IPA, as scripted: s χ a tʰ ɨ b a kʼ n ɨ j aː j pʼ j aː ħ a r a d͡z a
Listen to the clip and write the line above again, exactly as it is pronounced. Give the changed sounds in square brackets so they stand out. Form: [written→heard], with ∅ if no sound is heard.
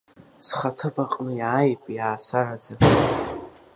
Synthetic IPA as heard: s χ a tʰ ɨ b a [kʼ→qʼ] n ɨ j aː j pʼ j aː [ħ→s] a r a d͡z a